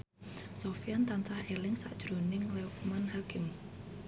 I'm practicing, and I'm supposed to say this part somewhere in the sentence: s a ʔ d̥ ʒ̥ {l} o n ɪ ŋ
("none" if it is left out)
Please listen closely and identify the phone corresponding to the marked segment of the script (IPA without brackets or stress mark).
ɾ